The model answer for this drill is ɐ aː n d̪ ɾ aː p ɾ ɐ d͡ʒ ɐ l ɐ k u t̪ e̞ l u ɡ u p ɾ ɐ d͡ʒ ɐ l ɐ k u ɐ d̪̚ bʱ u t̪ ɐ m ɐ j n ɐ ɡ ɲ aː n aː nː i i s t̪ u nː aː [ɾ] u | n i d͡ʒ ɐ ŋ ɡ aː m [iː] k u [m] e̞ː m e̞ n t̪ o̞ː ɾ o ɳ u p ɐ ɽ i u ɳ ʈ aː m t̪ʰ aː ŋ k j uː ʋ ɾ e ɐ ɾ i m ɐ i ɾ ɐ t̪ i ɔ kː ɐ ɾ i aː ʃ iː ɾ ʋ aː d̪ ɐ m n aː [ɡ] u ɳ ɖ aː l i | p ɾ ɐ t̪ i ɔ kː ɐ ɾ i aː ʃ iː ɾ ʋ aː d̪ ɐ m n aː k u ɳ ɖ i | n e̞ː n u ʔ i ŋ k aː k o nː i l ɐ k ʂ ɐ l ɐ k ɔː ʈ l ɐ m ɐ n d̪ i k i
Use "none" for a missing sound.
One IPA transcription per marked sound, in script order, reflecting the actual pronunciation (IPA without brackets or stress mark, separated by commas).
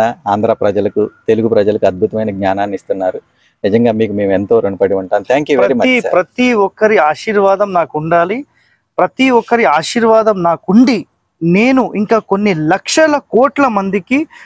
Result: ɾ, iː, m, k